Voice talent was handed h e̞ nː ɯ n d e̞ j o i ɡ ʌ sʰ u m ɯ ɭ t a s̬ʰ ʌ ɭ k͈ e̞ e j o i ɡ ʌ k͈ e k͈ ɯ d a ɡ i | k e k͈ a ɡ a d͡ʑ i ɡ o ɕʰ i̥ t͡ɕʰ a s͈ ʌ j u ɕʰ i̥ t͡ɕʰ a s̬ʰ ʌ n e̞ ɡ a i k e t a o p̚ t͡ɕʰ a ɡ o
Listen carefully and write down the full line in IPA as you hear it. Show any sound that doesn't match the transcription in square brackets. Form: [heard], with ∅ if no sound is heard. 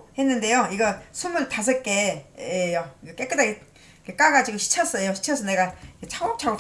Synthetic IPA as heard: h e̞ nː ɯ n d e̞ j o i ɡ ʌ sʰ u m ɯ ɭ t a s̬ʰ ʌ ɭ k͈ e̞ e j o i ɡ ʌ k͈ e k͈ ɯ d a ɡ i | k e k͈ a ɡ a d͡ʑ i ɡ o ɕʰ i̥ t͡ɕʰ [ʌ] s͈ ʌ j [o] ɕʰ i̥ t͡ɕʰ [ʌ] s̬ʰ ʌ n e̞ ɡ a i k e [t͡ɕʰ] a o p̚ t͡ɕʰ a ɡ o

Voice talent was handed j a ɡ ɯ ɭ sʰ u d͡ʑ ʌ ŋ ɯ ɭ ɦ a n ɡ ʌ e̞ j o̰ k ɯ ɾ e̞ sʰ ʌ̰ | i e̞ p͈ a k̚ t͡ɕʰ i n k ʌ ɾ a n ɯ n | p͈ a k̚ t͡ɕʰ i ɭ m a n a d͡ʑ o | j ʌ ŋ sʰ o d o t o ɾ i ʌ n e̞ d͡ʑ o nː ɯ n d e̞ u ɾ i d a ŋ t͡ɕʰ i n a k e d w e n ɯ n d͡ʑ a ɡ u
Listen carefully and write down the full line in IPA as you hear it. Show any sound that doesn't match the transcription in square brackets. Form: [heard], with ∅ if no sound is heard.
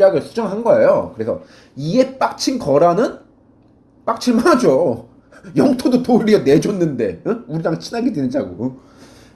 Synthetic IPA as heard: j a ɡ ɯ ɭ sʰ u d͡ʑ ʌ ŋ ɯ ɭ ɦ a n ɡ ʌ e̞ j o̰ k ɯ ɾ e̞ sʰ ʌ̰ | i e̞ p͈ a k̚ t͡ɕʰ i n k ʌ ɾ a n ɯ n | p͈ a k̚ t͡ɕʰ i ɭ m a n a d͡ʑ o | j ʌ ŋ [tʰ] o d o t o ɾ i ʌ n e̞ d͡ʑ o nː ɯ n d e̞ u ɾ i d a ŋ t͡ɕʰ i n a [ɡ] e d w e n ɯ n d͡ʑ a ɡ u

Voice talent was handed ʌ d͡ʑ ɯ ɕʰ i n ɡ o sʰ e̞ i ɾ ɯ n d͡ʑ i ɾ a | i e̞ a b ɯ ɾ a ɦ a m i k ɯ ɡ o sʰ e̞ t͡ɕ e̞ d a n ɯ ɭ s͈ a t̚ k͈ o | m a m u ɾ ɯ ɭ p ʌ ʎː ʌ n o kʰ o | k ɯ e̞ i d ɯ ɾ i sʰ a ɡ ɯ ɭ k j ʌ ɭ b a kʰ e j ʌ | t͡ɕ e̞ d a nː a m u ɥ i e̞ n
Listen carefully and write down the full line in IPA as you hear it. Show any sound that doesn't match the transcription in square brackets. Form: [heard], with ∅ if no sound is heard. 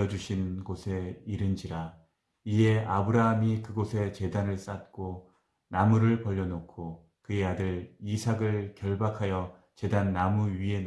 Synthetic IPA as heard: ʌ d͡ʑ [u] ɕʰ i n ɡ o sʰ e̞ i ɾ ɯ n d͡ʑ i ɾ a | i e̞ a b ɯ ɾ a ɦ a m i k ɯ ɡ o sʰ e̞ t͡ɕ e̞ d a n ɯ ɭ s͈ a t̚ k͈ o | [n] a m u ɾ ɯ ɭ p ʌ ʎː ʌ n o kʰ o | k ɯ e̞ [a] d ɯ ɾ i sʰ a ɡ ɯ ɭ k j ʌ ɭ b a kʰ [a] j ʌ | t͡ɕ e̞ d a nː a m u ɥ i e̞ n

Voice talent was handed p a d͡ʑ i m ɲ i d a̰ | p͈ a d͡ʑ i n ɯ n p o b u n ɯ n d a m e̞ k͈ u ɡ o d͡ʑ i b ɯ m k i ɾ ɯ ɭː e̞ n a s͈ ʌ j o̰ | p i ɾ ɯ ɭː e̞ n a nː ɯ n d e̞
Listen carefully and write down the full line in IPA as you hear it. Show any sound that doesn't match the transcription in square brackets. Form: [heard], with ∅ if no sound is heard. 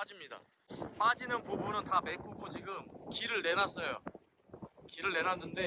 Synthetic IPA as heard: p a d͡ʑ i m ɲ i d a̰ | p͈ a d͡ʑ i n ɯ n p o b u n ɯ n [t] a m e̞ k͈ u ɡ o d͡ʑ i [ɡ] ɯ m k i ɾ ɯ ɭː e̞ n a s͈ ʌ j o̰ | [k] i ɾ ɯ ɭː e̞ n a nː ɯ n d e̞

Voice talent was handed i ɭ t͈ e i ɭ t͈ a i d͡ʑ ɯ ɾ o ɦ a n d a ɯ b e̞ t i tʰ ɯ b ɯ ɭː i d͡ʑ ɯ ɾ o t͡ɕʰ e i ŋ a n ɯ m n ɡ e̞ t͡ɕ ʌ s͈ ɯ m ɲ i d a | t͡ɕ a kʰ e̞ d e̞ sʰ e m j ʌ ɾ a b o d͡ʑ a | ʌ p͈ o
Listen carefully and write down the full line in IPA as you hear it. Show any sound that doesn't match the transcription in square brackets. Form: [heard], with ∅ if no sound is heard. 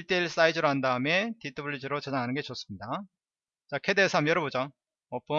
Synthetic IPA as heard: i ɭ t͈ e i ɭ [s͈] a i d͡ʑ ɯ ɾ o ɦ a n d a ɯ [m] e̞ t i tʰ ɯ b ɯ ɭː i d͡ʑ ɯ ɾ o [t͡ɕ] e [a] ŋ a n ɯ [∅] n ɡ e̞ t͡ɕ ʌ s͈ ɯ m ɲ i d a | t͡ɕ a kʰ e̞ d e̞ sʰ [a] m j ʌ ɾ [ʌ] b o d͡ʑ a | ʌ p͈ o

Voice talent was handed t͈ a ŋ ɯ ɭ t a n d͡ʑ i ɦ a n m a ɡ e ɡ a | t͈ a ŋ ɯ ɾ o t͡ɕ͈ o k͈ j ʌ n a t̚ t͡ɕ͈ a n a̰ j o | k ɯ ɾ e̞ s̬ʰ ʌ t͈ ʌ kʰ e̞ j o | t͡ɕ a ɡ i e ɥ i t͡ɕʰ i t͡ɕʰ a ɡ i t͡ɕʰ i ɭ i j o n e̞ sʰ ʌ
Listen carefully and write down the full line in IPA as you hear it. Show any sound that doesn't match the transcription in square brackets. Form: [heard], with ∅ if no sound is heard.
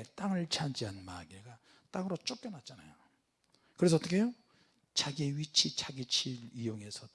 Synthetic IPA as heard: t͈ a ŋ ɯ ɭ [t͡ɕʰ] a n d͡ʑ i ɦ a n m a ɡ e ɡ a | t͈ a ŋ ɯ ɾ o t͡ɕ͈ o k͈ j ʌ n a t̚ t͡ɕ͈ a n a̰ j o | k ɯ ɾ e̞ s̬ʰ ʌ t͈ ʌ kʰ e̞ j o | t͡ɕ a ɡ i e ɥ i t͡ɕʰ i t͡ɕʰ a ɡ i t͡ɕʰ i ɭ i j o [ŋ] e̞ sʰ ʌ

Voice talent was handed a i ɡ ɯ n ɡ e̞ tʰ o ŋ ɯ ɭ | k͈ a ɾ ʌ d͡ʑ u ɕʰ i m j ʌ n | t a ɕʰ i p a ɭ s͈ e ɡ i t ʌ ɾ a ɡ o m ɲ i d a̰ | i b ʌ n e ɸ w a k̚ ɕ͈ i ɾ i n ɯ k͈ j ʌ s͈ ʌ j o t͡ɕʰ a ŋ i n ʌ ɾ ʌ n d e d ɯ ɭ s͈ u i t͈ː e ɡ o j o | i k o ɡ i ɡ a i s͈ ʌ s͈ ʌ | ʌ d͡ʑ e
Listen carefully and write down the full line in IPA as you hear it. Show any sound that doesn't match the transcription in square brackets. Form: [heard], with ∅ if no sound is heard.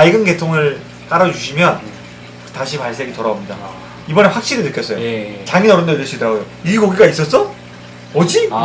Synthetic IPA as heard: a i ɡ ɯ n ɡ e̞ tʰ o ŋ ɯ ɭ | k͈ a ɾ ʌ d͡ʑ u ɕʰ i m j ʌ n | t a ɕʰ i p a ɭ s͈ e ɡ i t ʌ ɾ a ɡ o m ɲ i d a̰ | i b ʌ n e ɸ w a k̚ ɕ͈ i ɾ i n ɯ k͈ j ʌ s͈ ʌ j o [t͡ɕ] a ŋ i n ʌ ɾ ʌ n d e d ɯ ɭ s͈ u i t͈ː [a] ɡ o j o | i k o ɡ i ɡ a i s͈ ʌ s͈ ʌ | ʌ d͡ʑ [i]

